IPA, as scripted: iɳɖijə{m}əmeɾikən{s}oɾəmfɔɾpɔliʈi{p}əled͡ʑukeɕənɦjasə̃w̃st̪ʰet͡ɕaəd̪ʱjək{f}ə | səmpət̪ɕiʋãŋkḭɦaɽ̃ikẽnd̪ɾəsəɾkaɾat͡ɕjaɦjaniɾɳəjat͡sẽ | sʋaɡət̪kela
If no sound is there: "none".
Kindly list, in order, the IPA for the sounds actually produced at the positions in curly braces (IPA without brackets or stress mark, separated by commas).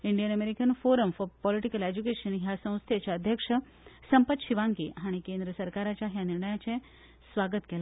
n, f, k, ʂ